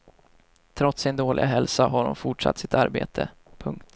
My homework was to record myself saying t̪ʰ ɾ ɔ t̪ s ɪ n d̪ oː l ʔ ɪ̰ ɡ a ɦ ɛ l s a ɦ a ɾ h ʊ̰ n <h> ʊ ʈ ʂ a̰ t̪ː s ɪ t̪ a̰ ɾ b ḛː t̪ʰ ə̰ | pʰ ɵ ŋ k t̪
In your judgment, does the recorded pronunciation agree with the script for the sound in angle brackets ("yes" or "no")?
no